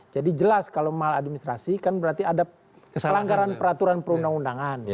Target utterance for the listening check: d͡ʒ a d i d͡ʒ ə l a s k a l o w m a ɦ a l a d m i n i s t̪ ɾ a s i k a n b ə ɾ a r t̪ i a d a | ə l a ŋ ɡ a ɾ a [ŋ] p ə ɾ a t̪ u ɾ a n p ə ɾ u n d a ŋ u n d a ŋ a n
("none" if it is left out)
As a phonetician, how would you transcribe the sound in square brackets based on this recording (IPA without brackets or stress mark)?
n